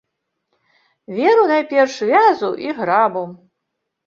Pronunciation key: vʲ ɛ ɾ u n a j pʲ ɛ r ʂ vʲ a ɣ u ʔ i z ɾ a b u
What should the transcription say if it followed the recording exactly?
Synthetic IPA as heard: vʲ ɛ ɾ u n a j pʲ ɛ r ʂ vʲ a z u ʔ i ɣ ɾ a b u